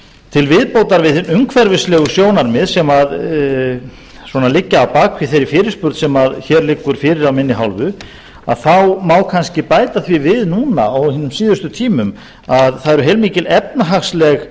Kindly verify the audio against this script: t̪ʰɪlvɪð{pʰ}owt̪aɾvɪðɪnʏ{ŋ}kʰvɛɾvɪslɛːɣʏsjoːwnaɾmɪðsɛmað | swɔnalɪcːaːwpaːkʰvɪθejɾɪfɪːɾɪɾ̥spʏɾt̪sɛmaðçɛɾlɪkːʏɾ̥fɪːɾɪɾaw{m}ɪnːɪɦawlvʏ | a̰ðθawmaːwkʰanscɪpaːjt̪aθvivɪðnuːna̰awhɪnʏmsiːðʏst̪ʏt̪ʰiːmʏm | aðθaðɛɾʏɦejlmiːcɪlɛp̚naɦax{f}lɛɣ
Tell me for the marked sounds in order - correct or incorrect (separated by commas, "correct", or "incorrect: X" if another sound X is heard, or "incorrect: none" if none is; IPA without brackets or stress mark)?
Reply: incorrect: p, correct, correct, incorrect: s